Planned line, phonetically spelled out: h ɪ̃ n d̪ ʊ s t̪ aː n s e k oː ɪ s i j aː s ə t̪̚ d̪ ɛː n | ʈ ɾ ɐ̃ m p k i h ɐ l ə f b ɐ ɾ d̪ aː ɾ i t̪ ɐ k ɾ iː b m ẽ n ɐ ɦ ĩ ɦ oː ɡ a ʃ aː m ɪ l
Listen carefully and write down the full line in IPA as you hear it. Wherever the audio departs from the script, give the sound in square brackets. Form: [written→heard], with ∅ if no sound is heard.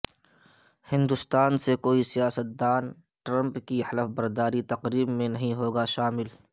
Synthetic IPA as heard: h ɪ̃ n d̪ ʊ s t̪ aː n s e k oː [ɪ→i] s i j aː s ə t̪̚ d̪ [ɛː→aː] n | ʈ ɾ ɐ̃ m p k i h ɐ l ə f b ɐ ɾ d̪ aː ɾ i t̪ ɐ [k→q] ɾ iː b m ẽ n ɐ ɦ ĩ ɦ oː ɡ a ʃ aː m ɪ l